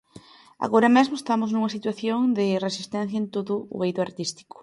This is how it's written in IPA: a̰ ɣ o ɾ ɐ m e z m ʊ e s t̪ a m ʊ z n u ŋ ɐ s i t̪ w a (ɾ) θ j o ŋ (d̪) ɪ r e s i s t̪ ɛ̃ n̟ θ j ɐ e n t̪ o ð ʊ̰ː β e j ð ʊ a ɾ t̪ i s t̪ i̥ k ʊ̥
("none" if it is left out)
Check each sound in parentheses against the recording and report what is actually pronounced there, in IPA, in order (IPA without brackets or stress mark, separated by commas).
none, d̪